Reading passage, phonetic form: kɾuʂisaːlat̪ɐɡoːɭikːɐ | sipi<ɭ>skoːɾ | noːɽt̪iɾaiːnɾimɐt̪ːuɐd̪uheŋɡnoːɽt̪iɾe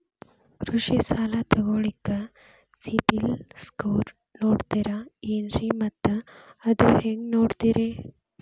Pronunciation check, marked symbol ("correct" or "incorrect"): incorrect